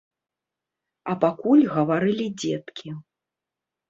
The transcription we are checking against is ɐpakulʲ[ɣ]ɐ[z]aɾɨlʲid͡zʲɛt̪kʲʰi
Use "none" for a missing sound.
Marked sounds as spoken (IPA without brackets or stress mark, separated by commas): ɣ, v